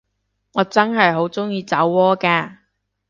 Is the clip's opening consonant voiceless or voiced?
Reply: voiced